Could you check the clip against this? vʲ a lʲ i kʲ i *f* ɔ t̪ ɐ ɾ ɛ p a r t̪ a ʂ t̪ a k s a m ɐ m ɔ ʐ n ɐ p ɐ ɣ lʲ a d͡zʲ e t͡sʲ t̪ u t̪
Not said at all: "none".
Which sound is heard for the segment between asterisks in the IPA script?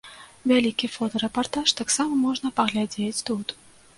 f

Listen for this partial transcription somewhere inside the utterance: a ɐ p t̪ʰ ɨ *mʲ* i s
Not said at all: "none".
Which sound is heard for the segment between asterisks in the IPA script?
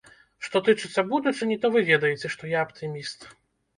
mʲ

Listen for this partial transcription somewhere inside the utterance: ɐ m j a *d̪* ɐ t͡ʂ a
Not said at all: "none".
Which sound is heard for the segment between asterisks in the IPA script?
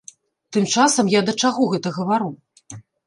d̪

